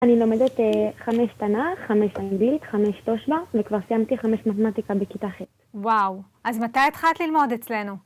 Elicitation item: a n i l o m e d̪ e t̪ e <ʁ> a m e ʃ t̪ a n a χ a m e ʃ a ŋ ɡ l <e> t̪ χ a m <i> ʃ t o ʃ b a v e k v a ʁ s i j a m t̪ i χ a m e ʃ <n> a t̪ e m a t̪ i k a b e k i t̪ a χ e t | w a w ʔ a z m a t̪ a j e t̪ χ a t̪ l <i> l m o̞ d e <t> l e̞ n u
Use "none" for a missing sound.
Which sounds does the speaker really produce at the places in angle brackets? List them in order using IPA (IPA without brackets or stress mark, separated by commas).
χ, i, e, m, i, t͡s